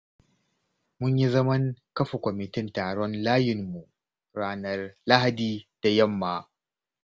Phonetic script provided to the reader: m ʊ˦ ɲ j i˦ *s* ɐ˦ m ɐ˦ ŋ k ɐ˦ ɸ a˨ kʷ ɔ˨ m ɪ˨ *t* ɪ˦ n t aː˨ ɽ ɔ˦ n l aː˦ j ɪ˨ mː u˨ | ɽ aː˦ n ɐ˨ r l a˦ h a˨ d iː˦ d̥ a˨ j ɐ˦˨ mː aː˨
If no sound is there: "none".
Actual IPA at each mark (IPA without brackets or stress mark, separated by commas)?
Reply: z, t